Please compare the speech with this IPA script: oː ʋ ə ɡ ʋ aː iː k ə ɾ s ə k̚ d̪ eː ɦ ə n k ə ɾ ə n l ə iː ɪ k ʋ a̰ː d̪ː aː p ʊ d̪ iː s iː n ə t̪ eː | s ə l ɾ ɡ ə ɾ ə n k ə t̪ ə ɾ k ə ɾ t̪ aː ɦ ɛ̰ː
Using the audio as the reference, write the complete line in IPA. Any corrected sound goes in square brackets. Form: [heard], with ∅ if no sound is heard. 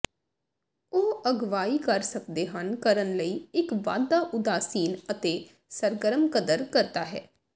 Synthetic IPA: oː [∅] ə ɡ ʋ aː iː k ə ɾ s ə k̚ d̪ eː ɦ ə n k ə ɾ ə n l ə iː ɪ k ʋ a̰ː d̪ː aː [ʔ] ʊ d̪ [aː] s iː n ə t̪ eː | s ə [∅] ɾ ɡ ə ɾ ə [m] k ə [d̪] ə ɾ k ə ɾ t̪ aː ɦ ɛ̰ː